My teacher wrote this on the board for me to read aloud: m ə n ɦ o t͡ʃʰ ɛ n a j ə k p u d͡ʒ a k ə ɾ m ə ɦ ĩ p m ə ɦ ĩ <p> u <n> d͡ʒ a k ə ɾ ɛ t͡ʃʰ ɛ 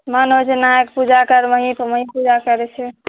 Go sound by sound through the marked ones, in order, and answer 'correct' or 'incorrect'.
correct, incorrect

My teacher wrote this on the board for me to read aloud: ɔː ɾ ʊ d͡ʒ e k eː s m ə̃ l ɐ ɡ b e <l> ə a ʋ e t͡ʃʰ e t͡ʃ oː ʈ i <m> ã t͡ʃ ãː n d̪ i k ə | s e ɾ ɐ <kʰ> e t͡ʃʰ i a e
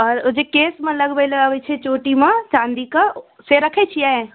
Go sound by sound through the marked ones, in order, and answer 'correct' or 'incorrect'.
correct, correct, correct

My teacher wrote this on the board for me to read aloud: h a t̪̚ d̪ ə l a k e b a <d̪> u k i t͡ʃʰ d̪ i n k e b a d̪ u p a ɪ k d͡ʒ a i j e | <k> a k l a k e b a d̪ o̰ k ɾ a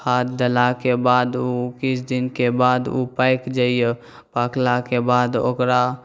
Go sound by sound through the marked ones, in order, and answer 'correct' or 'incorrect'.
correct, incorrect

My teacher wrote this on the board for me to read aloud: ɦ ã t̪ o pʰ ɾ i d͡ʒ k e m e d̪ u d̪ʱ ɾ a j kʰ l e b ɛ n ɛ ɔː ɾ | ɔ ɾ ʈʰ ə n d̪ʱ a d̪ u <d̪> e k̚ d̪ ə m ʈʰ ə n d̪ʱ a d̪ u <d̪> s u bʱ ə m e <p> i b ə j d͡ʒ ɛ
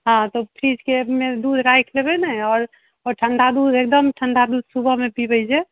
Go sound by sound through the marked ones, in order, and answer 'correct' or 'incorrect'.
correct, correct, correct

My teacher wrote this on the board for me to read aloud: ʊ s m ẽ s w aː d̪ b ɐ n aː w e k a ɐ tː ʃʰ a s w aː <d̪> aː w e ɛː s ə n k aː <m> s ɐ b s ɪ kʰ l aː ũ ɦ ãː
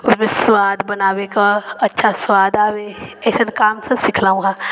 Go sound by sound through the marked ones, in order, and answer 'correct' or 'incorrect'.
correct, correct

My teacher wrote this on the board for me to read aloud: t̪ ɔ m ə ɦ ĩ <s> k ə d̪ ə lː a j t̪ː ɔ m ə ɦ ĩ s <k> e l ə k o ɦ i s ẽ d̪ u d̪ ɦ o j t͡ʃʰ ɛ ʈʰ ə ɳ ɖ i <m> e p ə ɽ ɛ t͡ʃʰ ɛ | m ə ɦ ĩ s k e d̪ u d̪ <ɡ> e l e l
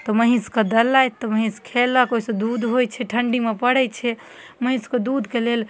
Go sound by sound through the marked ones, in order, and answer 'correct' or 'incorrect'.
correct, incorrect, correct, incorrect

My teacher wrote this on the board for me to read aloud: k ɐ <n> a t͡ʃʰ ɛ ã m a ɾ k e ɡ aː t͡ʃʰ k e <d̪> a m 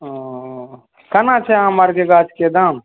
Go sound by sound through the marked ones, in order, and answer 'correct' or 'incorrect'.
correct, correct

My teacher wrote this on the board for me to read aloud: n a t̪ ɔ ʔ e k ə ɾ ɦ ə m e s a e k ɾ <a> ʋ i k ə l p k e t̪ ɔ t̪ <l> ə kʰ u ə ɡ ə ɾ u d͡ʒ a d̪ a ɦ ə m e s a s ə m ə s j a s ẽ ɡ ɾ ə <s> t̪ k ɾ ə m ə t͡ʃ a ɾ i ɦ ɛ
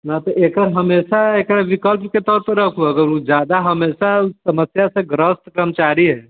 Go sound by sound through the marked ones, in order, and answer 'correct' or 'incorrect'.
correct, incorrect, correct

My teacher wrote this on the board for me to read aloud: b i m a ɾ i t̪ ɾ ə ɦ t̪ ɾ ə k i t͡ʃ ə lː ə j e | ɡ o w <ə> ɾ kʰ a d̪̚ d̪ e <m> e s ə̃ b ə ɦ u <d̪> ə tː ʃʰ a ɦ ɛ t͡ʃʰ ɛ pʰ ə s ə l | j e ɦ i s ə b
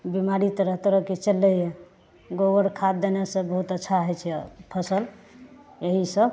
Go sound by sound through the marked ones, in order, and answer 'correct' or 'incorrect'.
correct, incorrect, incorrect

